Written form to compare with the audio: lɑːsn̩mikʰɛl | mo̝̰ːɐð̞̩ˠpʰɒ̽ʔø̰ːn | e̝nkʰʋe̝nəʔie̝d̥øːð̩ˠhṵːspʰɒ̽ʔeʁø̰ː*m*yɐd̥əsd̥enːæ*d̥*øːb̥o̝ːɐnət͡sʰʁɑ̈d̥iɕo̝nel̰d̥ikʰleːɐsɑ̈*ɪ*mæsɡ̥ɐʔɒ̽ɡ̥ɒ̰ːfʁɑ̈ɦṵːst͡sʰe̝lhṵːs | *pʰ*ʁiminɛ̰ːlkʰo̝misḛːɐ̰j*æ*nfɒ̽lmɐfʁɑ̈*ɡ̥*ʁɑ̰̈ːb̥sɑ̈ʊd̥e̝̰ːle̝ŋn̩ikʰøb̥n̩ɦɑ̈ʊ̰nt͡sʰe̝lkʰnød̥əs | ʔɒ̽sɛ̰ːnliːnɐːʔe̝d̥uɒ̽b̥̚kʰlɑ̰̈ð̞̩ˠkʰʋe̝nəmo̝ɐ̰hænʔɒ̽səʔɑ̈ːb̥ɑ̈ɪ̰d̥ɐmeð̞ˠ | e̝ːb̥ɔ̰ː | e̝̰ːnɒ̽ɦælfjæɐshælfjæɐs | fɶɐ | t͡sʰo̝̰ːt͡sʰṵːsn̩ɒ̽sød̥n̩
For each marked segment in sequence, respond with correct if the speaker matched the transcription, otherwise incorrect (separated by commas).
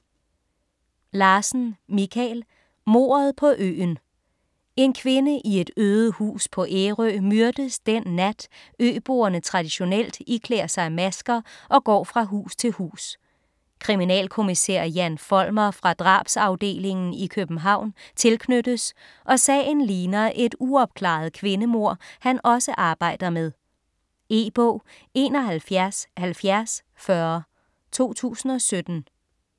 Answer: correct, correct, correct, incorrect, correct, incorrect